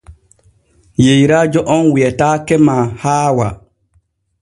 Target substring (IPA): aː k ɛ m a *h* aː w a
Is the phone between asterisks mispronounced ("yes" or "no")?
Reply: no